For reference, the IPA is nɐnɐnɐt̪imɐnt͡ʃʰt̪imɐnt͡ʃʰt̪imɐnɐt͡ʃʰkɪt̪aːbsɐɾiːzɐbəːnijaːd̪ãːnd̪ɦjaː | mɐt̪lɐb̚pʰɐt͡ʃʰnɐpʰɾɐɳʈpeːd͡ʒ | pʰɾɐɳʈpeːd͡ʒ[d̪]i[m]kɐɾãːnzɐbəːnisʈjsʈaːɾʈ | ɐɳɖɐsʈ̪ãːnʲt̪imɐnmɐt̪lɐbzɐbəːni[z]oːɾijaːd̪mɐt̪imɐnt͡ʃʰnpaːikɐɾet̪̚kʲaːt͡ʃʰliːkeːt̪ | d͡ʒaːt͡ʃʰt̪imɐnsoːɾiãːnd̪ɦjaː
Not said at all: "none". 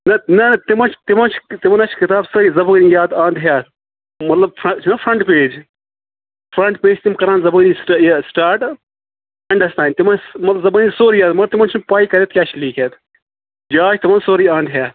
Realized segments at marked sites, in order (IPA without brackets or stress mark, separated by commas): t̪, m, s